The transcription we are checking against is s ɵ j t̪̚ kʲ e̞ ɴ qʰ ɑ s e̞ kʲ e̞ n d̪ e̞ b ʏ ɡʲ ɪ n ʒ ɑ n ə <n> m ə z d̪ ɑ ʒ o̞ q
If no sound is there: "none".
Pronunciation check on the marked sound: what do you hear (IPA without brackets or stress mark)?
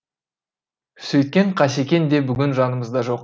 none